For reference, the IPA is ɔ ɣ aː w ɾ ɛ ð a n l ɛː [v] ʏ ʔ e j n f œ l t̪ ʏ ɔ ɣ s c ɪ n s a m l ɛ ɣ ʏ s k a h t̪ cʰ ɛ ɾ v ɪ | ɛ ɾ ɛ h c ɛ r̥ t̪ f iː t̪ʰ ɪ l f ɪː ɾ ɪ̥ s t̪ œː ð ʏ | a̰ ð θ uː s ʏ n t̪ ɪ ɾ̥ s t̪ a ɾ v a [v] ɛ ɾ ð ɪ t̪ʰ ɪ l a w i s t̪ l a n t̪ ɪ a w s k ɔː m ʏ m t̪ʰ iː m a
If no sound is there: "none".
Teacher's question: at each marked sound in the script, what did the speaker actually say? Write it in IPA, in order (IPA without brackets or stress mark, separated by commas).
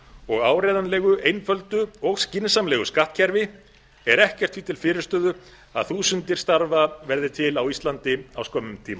ɣ, v